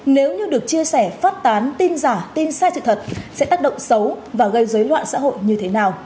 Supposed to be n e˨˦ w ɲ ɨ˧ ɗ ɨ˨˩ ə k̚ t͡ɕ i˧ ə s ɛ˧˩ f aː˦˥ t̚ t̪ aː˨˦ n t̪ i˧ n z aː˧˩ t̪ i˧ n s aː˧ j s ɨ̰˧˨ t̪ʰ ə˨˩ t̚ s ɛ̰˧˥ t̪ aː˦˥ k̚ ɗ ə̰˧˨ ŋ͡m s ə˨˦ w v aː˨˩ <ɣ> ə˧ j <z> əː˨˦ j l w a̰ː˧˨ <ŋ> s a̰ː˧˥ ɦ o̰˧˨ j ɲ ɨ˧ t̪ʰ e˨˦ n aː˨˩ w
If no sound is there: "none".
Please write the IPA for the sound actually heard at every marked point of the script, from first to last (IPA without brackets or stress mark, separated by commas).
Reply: ɣ, z, n